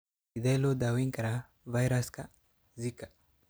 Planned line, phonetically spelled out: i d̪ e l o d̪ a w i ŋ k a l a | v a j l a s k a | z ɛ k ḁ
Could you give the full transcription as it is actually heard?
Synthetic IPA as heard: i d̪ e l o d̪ a w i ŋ k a ɾ a | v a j ɾ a s k a | z i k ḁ